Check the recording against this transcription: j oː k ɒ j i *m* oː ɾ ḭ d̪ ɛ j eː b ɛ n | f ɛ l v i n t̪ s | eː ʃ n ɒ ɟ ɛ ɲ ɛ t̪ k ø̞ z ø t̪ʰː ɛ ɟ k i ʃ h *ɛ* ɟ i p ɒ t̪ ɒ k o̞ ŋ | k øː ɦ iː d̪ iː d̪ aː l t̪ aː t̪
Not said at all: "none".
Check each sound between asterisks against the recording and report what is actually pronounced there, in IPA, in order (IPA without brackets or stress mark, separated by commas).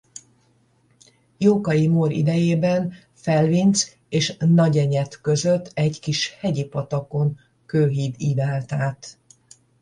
m, ɛ